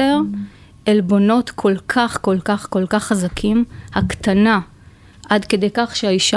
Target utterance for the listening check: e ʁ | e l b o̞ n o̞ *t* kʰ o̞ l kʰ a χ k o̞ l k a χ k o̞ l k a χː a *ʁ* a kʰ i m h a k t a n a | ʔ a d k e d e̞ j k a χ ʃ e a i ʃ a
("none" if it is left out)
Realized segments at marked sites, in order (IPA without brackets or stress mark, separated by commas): t, z